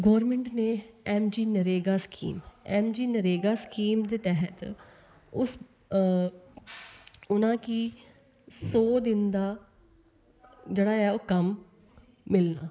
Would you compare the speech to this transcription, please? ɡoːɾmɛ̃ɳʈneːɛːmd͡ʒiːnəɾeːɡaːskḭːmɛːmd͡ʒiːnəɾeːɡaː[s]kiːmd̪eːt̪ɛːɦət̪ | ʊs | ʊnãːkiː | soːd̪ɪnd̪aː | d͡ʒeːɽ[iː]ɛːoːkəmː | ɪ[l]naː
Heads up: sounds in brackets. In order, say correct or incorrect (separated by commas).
correct, incorrect, correct